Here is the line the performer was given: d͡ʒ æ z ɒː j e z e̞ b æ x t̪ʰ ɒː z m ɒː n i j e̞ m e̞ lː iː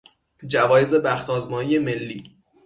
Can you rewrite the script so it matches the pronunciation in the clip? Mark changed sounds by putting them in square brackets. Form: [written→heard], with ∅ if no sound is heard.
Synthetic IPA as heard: d͡ʒ æ [z→v] ɒː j e z e̞ b æ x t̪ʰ ɒː z m ɒː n i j e̞ m e̞ lː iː